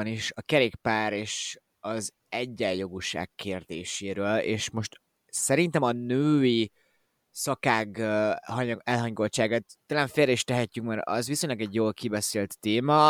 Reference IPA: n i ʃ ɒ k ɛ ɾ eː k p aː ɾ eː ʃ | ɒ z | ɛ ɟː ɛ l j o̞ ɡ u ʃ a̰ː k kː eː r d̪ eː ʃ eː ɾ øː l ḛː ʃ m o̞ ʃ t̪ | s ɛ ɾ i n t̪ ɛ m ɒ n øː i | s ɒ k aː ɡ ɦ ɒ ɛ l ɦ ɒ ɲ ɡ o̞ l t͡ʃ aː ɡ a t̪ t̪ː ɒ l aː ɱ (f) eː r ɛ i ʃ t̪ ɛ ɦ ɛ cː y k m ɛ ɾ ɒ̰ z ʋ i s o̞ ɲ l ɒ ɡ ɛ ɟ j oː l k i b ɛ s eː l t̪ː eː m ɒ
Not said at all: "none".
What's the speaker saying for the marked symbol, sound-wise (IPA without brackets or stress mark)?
f